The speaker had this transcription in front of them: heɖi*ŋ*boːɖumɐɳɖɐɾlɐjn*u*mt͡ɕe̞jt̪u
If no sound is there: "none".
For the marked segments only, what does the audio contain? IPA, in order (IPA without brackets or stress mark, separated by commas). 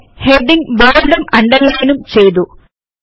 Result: ŋ, u